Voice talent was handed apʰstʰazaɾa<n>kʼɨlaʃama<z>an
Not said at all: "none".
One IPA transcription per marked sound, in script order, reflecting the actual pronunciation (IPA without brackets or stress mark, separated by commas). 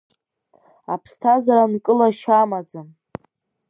n, d͡z